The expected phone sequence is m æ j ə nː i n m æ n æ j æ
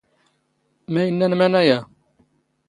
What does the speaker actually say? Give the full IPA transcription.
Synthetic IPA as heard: m æ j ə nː æ n m æ n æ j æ